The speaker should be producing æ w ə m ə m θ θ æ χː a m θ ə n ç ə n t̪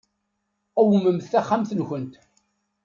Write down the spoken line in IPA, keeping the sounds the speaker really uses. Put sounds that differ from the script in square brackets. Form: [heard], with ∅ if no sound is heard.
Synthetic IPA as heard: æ w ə m ə m θ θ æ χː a m θ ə n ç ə n t̪